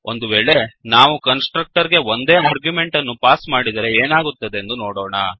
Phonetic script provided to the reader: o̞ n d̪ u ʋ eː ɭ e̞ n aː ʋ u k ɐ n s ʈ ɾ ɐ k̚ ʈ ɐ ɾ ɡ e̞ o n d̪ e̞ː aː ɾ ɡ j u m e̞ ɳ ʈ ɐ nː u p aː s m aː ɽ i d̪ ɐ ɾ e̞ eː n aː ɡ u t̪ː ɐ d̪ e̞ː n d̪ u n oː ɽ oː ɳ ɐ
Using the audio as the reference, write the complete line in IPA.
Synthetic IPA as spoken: o̞ n d̪ u ʋ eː ɭ e̞ n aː ʋ u k ɐ n s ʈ ɾ ɐ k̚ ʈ ɐ ɾ ɡ e̞ o n d̪ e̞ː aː ɾ ɡ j u m e̞ ɳ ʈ ɐ nː u p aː s m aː ɽ i d̪ ɐ ɾ e̞ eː n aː ɡ u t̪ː ɐ d̪ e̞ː n d̪ u n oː ɽ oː ɳ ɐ